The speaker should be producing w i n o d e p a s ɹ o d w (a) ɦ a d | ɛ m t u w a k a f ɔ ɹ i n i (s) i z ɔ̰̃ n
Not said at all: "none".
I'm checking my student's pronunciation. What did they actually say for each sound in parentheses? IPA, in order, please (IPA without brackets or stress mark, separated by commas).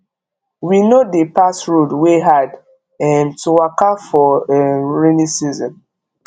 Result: e, s